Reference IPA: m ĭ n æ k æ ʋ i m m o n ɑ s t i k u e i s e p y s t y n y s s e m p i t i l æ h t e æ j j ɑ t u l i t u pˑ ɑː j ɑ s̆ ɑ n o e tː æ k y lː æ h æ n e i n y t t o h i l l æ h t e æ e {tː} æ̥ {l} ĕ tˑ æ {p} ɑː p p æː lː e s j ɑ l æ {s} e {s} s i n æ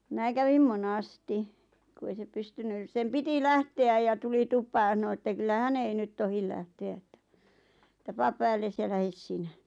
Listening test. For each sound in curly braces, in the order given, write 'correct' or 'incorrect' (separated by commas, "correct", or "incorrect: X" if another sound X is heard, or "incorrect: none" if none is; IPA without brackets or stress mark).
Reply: correct, incorrect: none, correct, incorrect: h, correct